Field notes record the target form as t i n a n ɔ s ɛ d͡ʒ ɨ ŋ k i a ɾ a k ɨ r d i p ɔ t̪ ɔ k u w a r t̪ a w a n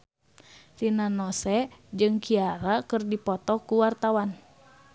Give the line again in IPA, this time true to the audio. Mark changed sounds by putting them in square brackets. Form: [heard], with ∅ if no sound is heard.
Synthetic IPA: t i n a n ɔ s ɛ d͡ʒ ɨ ŋ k i a ɾ a k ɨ r d i p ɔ t̪ ɔ k u w a r t̪ a w a n